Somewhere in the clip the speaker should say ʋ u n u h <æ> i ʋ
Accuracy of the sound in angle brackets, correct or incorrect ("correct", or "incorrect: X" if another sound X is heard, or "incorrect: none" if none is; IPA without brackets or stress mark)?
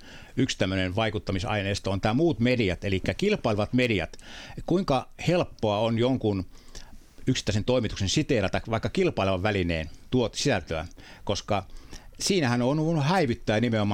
correct